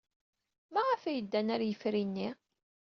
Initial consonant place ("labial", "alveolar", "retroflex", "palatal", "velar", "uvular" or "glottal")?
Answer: labial